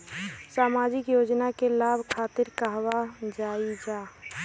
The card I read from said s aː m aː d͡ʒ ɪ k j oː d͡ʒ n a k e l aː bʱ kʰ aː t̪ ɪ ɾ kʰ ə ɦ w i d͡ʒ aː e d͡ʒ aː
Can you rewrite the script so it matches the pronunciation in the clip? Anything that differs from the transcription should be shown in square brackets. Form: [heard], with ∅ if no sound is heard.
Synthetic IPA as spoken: s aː m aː d͡ʒ ɪ k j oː d͡ʒ n a k e l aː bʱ kʰ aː t̪ ɪ ɾ [k] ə ɦ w [a] d͡ʒ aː [i] d͡ʒ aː